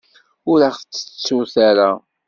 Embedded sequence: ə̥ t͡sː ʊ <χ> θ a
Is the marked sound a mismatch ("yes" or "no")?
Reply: yes